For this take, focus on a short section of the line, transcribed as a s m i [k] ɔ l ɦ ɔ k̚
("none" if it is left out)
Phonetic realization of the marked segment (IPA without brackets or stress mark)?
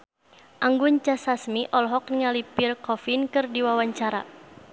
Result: ʔ